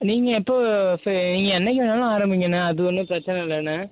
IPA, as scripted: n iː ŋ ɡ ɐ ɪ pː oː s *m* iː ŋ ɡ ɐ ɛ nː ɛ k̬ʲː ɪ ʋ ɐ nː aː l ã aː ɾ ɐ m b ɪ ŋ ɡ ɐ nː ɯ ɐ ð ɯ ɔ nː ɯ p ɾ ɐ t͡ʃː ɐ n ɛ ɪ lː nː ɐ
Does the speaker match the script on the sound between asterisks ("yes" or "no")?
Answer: no